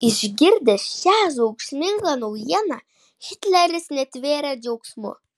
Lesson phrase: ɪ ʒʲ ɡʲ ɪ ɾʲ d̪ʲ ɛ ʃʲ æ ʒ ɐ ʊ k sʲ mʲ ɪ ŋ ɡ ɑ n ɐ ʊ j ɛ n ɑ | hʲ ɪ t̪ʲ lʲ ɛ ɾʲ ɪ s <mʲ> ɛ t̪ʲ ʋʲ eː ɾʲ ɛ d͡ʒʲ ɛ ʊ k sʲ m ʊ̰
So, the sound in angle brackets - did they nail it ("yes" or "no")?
no